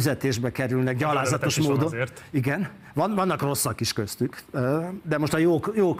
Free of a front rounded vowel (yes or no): no